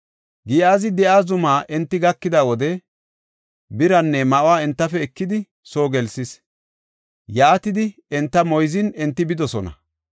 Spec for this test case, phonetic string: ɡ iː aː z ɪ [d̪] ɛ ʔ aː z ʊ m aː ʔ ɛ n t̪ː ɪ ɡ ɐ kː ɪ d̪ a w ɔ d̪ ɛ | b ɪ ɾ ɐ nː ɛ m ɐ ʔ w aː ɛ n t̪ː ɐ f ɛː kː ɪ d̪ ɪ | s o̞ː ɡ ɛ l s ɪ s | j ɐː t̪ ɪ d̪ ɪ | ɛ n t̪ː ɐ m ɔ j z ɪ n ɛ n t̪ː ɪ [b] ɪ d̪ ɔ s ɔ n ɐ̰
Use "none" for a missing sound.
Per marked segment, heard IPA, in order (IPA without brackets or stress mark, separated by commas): d̪, b